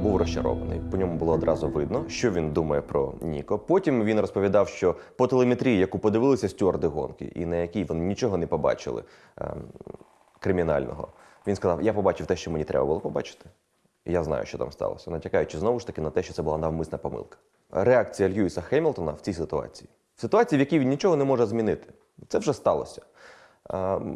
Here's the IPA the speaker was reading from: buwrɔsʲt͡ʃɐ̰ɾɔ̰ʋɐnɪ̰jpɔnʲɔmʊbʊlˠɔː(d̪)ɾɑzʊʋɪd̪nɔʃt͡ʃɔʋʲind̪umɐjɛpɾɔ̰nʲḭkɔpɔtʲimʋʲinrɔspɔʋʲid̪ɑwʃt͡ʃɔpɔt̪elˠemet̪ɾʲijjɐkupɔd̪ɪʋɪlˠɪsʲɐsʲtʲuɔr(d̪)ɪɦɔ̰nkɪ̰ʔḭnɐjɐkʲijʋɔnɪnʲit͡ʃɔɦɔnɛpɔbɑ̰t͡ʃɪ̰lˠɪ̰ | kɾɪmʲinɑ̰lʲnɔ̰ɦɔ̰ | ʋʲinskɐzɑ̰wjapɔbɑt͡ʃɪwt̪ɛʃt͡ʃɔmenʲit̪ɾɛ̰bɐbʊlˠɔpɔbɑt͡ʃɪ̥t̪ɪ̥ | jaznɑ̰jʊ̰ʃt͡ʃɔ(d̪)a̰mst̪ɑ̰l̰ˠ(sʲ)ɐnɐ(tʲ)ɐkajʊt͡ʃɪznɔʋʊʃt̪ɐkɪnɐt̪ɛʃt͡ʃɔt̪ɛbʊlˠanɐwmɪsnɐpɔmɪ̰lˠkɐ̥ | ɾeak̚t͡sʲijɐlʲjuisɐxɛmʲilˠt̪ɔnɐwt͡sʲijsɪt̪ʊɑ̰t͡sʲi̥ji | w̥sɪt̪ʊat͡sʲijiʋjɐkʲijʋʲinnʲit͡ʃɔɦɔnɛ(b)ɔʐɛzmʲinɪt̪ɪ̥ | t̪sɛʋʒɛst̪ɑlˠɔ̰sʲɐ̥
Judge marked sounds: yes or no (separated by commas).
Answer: yes, yes, no, yes, yes, no